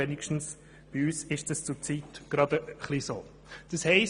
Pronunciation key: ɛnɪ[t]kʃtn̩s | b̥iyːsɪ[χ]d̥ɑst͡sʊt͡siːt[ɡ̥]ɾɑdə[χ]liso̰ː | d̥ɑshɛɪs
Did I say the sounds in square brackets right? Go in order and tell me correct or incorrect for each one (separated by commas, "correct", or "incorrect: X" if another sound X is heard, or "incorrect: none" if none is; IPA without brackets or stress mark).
incorrect: none, incorrect: ʃ, correct, correct